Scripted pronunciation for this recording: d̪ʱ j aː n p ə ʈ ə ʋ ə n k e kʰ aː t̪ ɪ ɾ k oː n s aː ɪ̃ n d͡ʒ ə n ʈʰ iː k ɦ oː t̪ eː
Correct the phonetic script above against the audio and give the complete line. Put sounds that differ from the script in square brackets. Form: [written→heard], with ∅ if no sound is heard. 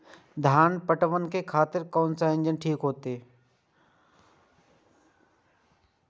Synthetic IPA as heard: d̪ʱ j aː n p ə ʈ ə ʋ ə n k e kʰ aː t̪ ɪ ɾ k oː n s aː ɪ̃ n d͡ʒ ə n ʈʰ iː k ɦ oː t̪ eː